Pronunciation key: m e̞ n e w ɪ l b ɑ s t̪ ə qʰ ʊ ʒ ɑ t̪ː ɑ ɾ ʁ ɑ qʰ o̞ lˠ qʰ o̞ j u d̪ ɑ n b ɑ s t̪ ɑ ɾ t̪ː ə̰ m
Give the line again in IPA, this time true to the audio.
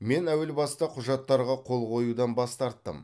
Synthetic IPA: m e̞ n æ w ɪ l b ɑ s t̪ ɑ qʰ ʊ ʒ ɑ t̪ː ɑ ɾ ʁ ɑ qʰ o̞ lˠ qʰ o̞ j u d̪ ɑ n b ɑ s t̪ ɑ ɾ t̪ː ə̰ m

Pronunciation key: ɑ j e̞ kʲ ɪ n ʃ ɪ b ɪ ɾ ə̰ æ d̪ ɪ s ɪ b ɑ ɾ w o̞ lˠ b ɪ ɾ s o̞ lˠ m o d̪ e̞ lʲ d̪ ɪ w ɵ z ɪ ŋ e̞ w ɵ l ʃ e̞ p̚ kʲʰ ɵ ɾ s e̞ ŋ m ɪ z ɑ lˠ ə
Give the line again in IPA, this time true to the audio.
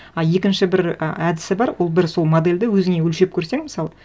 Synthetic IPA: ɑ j e̞ kʲ ɪ n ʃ ɪ b ɪ ɾ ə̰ æ d̪ ɪ s ɪ b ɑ ɾ w o̞ lˠ b ɪ ɾ s o̞ lˠ m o d̪ e̞ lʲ d̪ ɪ w ɵ z ɪ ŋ e̞ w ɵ l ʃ e̞ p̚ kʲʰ ɵ ɾ s e̞ ŋ m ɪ s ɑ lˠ ə

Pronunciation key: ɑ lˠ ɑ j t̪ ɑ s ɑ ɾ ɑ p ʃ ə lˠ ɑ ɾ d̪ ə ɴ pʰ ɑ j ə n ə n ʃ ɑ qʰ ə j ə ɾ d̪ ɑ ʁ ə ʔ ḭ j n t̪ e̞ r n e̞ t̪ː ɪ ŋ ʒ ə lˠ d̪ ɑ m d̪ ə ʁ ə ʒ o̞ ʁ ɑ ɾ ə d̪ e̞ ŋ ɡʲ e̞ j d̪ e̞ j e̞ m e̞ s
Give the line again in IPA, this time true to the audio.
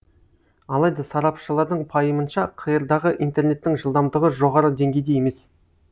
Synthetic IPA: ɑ lˠ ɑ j d̪ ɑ s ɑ ɾ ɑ p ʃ ə lˠ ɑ ɾ d̪ ə ɴ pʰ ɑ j ə m ə n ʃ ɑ qʰ ə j ə ɾ d̪ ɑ ʁ ə ʔ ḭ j n t̪ e̞ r n e̞ t̪ː ɪ ŋ ʒ ə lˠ d̪ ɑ m d̪ ə ʁ ə ʒ o̞ ʁ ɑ ɾ ə d̪ e̞ ŋ ɡʲ e̞ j d̪ e̞ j e̞ m e̞ s

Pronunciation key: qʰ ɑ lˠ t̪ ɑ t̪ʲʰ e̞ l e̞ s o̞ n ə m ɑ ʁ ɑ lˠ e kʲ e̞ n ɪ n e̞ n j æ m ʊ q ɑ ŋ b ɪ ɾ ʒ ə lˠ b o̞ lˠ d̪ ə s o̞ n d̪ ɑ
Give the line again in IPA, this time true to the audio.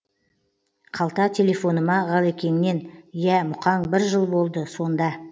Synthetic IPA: qʰ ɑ lˠ t̪ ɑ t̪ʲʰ e̞ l e̞ f o̞ n ə m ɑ ʁ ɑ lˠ e kʲ e̞ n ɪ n e̞ n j æ m ʊ q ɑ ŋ b ɪ ɾ ʒ ə lˠ b o̞ lˠ d̪ ə s o̞ n d̪ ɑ

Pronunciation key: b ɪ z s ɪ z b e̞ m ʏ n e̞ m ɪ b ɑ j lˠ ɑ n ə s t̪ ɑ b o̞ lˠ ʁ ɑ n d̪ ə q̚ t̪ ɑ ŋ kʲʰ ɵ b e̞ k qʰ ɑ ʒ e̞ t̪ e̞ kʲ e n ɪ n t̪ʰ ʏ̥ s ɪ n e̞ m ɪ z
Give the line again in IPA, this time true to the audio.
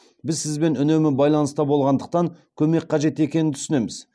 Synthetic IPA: b ɪ z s ɪ z b e̞ n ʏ n e̞ m ɪ b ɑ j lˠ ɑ n ə s t̪ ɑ b o̞ lˠ ʁ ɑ n d̪ ə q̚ t̪ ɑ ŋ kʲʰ ɵ m e̞ k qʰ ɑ ʒ e̞ t̪ e̞ kʲ e n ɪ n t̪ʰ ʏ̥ s ɪ n e̞ m ɪ z

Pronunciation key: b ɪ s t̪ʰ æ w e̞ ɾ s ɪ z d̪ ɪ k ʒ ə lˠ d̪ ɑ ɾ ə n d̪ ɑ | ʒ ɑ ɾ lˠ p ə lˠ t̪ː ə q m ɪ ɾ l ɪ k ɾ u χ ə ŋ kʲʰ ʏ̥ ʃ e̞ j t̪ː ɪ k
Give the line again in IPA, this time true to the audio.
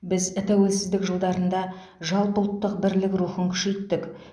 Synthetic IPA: b ɪ z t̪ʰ æ w e̞ l s ɪ z d̪ ɪ k ʒ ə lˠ d̪ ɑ ɾ ə n d̪ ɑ | ʒ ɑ lˠ p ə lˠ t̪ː ə q b ɪ ɾ l ɪ k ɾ u χ ə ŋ kʲʰ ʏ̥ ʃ e̞ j t̪ː ɪ k

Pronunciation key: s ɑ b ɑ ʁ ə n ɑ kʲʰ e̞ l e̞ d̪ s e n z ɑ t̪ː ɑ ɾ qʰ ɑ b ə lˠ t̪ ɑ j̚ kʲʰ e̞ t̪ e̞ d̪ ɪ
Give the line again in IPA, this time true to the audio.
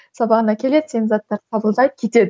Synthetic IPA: s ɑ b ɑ ʁ ə n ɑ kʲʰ e̞ l e̞ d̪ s e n z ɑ t̪ː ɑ ɾ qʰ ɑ b ə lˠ d̪ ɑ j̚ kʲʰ e̞ t̪ e̞ d̪ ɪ

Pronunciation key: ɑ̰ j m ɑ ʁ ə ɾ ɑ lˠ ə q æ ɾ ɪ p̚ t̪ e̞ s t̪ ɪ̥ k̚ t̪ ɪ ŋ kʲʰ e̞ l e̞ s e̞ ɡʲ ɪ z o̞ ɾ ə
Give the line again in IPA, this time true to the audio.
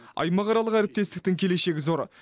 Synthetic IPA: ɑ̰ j m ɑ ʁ ɑ ɾ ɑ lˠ ə q æ ɾ ɪ p̚ t̪ e̞ s t̪ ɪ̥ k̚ t̪ ɪ ŋ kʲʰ e̞ l e̞ ʃ e̞ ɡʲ ɪ z o̞ ɾ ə

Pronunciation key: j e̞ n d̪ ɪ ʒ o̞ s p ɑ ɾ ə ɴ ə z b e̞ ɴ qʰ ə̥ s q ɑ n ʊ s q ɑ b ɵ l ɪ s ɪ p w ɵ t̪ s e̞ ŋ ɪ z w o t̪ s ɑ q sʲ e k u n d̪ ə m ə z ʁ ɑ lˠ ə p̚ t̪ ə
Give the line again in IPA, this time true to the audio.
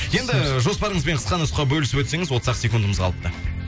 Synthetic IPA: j e̞ n d̪ ɪ ʒ o̞ s p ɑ ɾ ə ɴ ə z b e̞ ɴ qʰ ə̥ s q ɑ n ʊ s q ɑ b ɵ l ɪ s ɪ p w ɵ t̪ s e̞ ŋ ɪ z w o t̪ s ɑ q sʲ e k u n d̪ ə m ə z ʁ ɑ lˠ ə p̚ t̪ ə

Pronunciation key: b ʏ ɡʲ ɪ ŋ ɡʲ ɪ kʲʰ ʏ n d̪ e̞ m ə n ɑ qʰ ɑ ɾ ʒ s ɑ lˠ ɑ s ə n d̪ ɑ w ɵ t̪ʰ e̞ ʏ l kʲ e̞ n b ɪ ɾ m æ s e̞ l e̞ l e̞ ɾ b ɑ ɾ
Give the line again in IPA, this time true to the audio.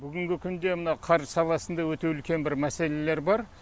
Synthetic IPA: b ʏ ɡʲ ɪ ŋ ɡʲ ɪ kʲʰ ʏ n d̪ e̞ m ə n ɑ qʰ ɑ ɾ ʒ s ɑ lˠ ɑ s ə n d̪ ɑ w ɵ t̪ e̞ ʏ l kʲ e̞ n b ɪ ɾ m æ s e̞ l e̞ l e̞ ɾ b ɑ ɾ

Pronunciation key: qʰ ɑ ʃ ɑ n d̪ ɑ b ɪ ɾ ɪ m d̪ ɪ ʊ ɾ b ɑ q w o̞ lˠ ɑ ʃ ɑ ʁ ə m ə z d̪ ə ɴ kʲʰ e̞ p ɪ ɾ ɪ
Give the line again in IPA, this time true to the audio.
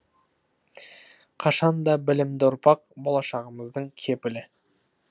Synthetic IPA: qʰ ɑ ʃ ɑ n d̪ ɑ b ɪ l ɪ m d̪ ɪ ʊ ɾ p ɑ q b o̞ lˠ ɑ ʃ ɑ ʁ ə m ə z d̪ ə ɴ kʲʰ e̞ p ɪ l ɪ

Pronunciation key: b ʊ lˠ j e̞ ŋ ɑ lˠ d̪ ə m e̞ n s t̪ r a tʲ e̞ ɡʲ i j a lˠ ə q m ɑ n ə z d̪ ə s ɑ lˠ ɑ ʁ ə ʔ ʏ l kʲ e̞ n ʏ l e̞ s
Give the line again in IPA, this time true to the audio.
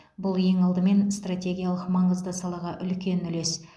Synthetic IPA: b ʊ lˠ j e̞ ŋ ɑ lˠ d̪ ə m e̞ n s t̪ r a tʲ e̞ ɡʲ i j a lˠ ə q m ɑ ɴ ə z d̪ ə s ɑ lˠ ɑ ʁ ɑ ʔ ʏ l kʲ e̞ n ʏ l e̞ s

